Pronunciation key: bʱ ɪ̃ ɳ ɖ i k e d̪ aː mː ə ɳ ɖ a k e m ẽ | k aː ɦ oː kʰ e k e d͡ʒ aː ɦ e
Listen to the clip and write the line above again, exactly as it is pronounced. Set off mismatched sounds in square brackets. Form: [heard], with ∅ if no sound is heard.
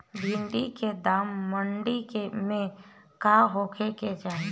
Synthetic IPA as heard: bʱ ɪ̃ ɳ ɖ i k e d̪ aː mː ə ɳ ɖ [i] k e m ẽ | k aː ɦ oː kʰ e k e d͡ʒ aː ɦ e